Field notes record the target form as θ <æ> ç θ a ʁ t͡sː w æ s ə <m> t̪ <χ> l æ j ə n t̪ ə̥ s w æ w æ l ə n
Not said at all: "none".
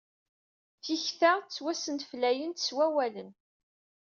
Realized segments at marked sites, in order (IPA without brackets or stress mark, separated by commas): i, n, f